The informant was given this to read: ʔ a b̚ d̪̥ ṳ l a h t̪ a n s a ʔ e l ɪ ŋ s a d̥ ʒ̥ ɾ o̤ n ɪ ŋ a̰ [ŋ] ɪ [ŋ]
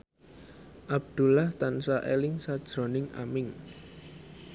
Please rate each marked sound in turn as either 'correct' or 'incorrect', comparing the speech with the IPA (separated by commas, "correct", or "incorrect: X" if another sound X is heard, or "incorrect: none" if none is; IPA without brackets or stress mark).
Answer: incorrect: m, correct